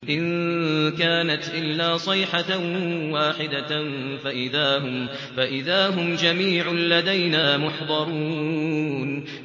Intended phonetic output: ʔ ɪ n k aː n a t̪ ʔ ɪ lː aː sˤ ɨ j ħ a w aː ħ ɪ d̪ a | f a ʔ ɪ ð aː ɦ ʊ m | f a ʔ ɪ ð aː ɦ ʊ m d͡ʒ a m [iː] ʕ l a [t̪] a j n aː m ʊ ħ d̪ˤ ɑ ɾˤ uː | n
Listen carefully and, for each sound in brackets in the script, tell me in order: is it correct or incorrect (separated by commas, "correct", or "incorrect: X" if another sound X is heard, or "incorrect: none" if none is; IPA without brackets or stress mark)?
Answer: correct, incorrect: d̪